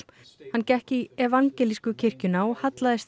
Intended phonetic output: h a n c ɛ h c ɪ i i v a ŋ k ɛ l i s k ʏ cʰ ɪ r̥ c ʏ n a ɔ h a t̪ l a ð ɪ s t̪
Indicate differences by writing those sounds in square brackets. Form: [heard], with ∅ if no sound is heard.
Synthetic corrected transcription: h a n c ɛ h c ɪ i [ɛ] v a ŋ [c] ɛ l i s k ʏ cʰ ɪ r̥ c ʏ n a ɔ h a t̪ l a ð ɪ s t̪